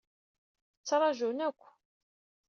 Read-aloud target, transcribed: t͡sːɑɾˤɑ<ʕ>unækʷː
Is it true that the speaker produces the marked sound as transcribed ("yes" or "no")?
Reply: no